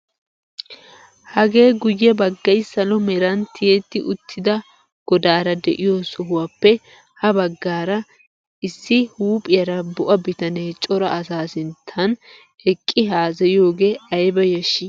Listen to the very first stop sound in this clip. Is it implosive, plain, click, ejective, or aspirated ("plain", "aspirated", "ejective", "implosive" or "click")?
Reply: plain